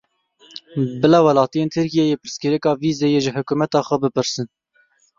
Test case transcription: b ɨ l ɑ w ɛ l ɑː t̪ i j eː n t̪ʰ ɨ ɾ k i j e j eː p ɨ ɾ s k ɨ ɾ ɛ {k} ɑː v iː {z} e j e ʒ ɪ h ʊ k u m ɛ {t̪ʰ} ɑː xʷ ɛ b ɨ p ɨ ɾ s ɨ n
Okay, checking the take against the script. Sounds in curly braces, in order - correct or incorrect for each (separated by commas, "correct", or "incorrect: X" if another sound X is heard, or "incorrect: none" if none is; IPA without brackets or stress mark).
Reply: correct, correct, incorrect: t̪